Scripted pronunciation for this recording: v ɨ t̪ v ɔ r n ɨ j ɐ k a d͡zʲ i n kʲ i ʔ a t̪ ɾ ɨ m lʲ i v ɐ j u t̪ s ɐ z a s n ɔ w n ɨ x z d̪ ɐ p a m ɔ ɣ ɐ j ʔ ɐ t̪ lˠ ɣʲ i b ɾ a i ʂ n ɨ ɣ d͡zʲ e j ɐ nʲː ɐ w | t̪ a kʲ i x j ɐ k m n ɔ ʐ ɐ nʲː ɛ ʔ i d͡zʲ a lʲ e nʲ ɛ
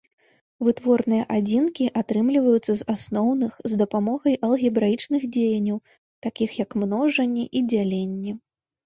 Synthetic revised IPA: v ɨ t̪ v ɔ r n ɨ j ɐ ʔ a d͡zʲ i n kʲ i ʔ a t̪ ɾ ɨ m lʲ i v ɐ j u t̪ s ɐ z a s n ɔ w n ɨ x z d̪ ɐ p a m ɔ ɣ ɐ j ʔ ɐ lˠ ɣʲ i b ɾ a i t͡ʂ n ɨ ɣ d͡zʲ e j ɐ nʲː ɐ w | t̪ a kʲ i x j ɐ k m n ɔ ʐ ɐ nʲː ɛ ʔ i d͡zʲ a lʲ e nʲː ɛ